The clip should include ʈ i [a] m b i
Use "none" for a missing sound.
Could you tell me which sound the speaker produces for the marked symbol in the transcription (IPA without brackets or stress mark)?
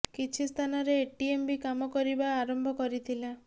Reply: e